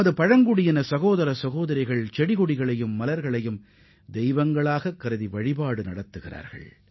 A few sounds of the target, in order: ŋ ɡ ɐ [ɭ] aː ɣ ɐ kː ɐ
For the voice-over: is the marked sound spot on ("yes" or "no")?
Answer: yes